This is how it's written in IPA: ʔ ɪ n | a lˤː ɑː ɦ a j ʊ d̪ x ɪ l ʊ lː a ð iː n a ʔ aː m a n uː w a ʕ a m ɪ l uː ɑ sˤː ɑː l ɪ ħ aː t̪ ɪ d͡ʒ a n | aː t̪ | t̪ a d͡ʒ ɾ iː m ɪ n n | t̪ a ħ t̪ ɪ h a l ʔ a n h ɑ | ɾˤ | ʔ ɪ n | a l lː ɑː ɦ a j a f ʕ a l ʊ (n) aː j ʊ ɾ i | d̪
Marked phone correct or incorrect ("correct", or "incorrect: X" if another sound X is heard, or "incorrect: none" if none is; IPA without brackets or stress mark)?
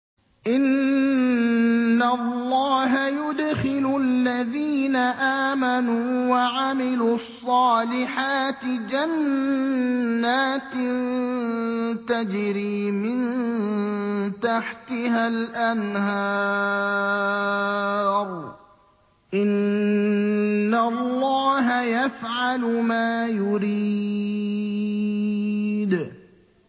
incorrect: m